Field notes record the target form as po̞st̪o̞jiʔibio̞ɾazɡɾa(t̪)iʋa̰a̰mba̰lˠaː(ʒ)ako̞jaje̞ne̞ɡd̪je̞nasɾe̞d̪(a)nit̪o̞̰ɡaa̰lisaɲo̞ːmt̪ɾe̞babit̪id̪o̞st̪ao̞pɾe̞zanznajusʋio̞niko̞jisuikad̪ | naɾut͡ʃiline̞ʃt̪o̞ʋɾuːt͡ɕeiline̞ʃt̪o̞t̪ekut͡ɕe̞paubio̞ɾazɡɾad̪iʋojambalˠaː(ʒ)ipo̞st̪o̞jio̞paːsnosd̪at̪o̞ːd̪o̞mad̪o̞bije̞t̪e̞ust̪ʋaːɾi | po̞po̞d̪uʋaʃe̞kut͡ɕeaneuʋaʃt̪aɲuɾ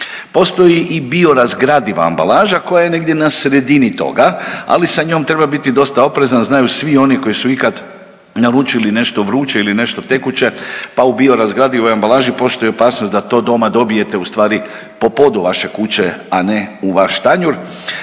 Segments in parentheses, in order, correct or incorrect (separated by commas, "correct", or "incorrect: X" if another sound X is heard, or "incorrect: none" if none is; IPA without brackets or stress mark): incorrect: d̪, correct, incorrect: i, correct